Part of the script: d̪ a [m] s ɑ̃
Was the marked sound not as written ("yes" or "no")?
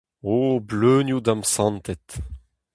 no